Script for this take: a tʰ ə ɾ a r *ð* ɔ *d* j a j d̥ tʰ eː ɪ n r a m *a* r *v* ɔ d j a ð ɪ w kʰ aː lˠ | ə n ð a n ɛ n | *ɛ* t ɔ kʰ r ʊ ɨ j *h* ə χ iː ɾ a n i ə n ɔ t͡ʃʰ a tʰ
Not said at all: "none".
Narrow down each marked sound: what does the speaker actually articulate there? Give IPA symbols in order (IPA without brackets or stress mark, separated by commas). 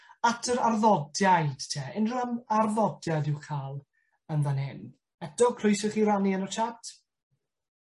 ð, d, a, ð, ɛ, s